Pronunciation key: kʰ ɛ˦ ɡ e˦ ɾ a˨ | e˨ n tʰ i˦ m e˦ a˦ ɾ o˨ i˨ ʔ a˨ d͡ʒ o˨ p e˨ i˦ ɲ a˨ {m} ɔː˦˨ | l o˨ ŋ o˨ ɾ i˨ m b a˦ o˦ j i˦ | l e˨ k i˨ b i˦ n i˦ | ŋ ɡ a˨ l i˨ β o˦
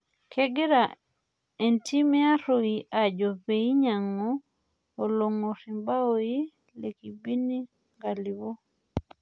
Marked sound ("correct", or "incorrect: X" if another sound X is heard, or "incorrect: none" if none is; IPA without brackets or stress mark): incorrect: ŋ